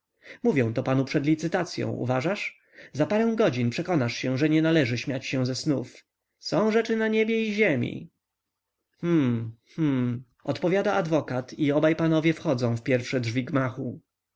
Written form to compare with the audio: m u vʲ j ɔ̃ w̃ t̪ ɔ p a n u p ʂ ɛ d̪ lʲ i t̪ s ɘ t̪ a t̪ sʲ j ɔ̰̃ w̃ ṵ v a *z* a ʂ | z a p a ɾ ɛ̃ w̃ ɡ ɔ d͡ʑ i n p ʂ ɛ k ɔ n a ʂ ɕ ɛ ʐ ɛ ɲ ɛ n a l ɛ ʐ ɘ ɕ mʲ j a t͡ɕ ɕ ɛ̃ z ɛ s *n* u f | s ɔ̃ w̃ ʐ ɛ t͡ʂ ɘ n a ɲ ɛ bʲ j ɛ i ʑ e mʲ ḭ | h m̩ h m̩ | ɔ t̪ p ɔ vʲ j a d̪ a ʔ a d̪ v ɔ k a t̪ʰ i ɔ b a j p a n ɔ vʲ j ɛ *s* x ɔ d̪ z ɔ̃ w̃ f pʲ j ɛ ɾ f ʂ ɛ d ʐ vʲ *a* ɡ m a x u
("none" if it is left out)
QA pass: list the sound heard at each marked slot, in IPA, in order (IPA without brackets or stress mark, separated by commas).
ʐ, n, f, i